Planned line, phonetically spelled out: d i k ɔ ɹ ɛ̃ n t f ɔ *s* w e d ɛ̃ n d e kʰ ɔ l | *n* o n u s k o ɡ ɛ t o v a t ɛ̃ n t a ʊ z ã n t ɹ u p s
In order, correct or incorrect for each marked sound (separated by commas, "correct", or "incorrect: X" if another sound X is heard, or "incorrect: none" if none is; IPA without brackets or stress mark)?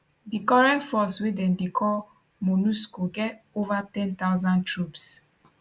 correct, incorrect: m